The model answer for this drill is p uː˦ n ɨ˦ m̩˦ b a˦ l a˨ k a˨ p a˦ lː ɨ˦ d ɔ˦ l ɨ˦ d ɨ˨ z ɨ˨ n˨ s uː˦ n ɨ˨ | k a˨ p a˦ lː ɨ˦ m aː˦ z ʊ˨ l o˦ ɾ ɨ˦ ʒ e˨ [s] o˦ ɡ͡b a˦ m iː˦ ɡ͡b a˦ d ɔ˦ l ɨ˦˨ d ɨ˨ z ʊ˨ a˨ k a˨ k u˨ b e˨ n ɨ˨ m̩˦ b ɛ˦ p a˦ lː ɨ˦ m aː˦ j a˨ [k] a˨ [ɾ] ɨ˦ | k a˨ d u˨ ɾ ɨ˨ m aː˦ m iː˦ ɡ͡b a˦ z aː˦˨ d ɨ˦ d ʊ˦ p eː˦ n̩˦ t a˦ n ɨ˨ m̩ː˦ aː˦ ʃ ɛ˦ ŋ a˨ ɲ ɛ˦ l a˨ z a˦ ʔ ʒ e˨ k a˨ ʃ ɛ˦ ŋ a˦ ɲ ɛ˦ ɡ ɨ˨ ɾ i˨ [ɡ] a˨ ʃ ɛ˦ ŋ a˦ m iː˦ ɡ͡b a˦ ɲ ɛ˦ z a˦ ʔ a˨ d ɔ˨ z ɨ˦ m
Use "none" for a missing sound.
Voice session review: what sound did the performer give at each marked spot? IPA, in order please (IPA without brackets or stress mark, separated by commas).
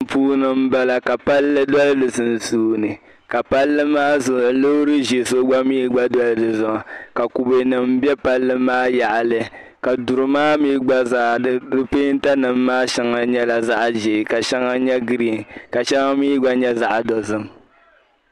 s, ʔ, l, k